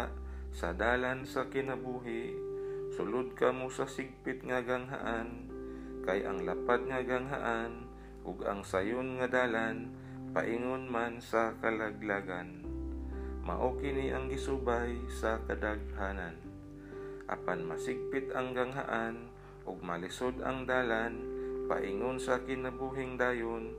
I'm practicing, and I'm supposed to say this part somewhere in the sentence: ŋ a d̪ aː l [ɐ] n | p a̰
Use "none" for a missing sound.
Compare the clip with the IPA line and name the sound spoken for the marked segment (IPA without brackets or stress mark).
a